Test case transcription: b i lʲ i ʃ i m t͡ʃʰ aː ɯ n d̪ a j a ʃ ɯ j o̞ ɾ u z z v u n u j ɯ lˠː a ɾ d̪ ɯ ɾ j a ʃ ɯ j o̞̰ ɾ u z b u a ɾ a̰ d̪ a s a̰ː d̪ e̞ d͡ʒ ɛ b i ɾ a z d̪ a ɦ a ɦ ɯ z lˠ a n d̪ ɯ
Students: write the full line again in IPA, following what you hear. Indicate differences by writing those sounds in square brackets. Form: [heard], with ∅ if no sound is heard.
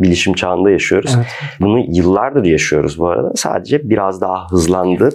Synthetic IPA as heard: b i lʲ i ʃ i m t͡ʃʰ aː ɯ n d̪ a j a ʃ ɯ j o̞ ɾ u z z [b] u n u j ɯ lˠː a ɾ d̪ ɯ ɾ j a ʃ ɯ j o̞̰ ɾ u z b u a ɾ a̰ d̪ a s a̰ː d̪ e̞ d͡ʒ ɛ b i ɾ a z d̪ a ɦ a ɦ ɯ z lˠ a n d̪ ɯ